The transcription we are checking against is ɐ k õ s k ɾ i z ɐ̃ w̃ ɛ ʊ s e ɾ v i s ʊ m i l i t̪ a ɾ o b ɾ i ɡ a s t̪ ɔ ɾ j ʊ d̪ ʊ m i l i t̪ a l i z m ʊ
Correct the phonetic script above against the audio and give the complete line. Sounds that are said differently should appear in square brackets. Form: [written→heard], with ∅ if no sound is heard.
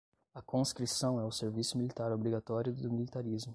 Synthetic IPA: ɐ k õ s k ɾ i [z→s] ɐ̃ w̃ ɛ ʊ s e ɾ v i s ʊ m i l i t̪ a ɾ o b ɾ i ɡ a [s→∅] t̪ ɔ ɾ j ʊ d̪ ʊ m i l i t̪ a [l→ɾ] i z m ʊ